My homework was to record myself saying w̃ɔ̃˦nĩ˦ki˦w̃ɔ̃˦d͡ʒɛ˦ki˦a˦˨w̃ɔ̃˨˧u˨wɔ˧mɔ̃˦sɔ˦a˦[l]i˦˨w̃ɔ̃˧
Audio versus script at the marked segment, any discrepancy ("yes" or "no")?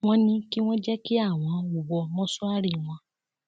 yes